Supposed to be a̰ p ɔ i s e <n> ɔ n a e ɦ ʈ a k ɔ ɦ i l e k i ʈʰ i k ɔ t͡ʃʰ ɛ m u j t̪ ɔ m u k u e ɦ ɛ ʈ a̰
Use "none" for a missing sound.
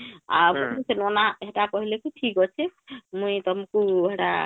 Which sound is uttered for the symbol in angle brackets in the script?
n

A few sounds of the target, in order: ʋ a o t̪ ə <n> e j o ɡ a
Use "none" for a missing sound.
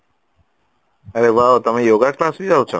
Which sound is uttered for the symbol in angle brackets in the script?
m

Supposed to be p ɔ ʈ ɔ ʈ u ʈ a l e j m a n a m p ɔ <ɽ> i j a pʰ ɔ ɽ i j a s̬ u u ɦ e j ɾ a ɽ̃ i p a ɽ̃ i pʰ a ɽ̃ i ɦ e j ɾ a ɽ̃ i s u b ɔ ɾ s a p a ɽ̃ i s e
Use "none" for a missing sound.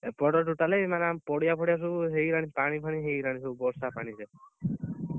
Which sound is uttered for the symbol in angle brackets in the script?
ɽ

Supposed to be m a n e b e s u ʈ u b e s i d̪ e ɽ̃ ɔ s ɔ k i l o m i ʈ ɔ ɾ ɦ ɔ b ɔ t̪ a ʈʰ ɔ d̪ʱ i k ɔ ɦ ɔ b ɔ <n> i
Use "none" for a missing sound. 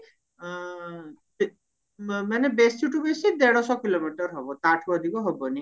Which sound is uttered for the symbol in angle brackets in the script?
n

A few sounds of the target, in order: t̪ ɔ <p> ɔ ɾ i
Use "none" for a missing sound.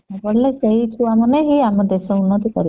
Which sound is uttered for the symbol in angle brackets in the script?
k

